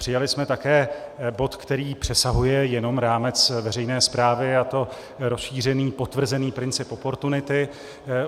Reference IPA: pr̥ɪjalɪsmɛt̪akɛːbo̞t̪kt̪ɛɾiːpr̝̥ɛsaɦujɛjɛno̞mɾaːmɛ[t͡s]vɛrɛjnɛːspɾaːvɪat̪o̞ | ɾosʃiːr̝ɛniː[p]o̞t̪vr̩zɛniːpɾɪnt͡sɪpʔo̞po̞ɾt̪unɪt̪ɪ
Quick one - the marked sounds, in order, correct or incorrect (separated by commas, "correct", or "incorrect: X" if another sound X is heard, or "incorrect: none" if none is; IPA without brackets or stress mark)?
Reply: correct, correct